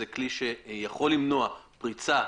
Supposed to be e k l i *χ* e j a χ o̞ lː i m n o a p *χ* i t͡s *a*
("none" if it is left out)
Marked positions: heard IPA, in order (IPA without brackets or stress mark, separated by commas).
ʃ, ʁ, a